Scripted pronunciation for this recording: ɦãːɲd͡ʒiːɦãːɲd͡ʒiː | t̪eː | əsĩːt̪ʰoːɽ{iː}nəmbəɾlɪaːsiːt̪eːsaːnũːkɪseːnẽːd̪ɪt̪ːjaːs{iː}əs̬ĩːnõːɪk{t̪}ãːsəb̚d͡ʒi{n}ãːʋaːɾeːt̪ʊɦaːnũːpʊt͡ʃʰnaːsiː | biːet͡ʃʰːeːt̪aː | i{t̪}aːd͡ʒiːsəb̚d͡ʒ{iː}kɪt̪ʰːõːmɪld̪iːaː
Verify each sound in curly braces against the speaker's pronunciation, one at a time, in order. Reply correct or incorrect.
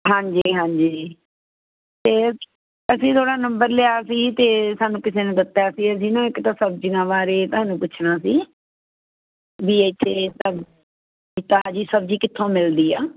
incorrect, correct, correct, correct, correct, correct

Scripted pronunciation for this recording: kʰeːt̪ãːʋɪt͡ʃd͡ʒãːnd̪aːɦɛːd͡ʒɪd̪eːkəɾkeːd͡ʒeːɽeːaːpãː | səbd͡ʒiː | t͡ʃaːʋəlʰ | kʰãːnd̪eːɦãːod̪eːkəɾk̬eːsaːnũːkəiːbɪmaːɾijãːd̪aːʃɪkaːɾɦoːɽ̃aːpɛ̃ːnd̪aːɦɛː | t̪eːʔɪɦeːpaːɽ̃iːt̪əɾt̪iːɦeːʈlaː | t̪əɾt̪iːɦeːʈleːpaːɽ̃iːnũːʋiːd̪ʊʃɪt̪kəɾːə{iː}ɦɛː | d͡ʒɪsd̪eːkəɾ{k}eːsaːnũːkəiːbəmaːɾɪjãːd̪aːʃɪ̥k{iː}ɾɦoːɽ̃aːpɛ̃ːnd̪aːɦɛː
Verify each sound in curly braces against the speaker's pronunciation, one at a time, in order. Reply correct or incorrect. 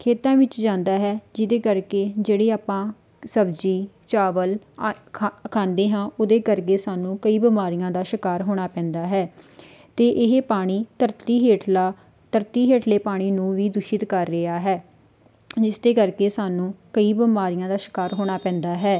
incorrect, correct, incorrect

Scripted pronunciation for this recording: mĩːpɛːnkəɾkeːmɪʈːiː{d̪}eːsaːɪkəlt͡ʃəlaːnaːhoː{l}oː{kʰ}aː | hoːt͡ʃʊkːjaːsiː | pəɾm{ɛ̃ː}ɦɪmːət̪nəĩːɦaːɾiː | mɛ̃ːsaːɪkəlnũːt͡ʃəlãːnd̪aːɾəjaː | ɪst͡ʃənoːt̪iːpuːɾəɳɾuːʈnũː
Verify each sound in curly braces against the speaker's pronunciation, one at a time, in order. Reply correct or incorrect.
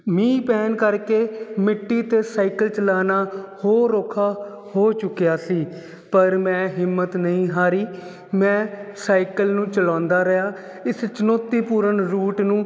incorrect, incorrect, correct, correct

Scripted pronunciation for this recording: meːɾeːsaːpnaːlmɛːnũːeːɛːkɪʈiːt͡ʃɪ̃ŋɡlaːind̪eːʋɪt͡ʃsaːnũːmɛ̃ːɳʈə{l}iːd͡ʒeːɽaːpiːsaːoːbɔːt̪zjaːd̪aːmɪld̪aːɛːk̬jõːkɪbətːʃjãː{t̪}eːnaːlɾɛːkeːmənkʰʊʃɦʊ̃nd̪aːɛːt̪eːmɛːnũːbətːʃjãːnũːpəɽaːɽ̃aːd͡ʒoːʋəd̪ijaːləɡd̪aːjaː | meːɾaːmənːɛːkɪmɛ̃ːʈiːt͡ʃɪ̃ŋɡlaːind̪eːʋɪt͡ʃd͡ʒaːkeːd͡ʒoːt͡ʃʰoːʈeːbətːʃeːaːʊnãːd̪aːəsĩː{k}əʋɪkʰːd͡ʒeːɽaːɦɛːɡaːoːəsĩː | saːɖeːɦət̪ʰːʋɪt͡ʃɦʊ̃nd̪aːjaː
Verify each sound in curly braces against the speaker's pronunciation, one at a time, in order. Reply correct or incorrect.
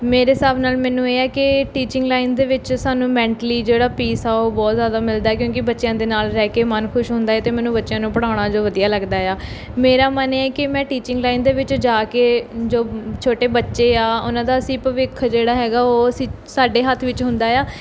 correct, incorrect, incorrect

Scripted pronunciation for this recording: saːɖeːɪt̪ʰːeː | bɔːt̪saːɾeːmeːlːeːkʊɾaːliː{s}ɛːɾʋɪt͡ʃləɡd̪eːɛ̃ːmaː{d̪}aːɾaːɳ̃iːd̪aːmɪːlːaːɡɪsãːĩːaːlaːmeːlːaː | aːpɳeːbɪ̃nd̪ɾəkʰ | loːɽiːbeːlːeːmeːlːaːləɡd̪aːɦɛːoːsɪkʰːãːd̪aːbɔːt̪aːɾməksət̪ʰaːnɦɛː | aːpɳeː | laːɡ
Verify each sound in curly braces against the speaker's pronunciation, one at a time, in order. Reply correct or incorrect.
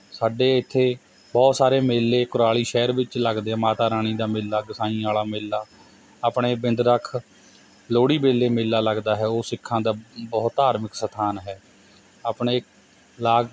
incorrect, incorrect

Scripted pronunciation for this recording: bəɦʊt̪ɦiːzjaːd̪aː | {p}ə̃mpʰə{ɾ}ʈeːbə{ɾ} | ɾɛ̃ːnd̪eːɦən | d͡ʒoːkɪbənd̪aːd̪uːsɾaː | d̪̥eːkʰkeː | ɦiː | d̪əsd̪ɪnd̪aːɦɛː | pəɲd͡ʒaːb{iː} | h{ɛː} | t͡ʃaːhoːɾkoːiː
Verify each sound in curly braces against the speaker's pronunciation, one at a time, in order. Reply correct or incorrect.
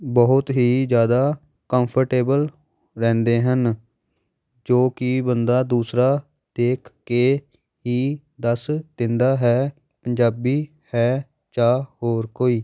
incorrect, correct, incorrect, correct, correct

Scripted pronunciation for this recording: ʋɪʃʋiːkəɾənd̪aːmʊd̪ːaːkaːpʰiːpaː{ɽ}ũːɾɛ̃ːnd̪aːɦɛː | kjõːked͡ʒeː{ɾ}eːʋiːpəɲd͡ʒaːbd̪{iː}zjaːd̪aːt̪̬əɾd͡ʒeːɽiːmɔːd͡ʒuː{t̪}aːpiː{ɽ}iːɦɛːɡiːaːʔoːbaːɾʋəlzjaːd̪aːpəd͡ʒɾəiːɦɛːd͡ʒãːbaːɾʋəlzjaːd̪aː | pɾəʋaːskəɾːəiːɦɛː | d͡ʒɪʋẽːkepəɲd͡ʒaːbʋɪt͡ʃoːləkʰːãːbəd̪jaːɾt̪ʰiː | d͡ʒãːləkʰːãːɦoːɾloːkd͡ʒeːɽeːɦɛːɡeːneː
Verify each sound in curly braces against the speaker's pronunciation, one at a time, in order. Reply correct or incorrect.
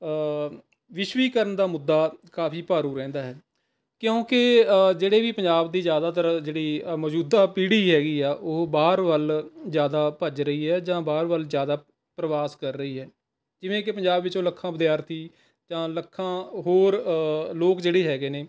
incorrect, incorrect, correct, incorrect, correct

